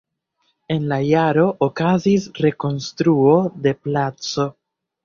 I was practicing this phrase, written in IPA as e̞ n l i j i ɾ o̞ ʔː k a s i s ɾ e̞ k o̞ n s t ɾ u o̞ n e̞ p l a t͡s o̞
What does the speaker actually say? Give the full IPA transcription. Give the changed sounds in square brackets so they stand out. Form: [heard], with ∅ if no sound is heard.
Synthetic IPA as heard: e̞ n l [a] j [a] ɾ o̞ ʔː k a [z] i s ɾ e̞ k o̞ n s t ɾ u o̞ [d] e̞ p l a t͡s o̞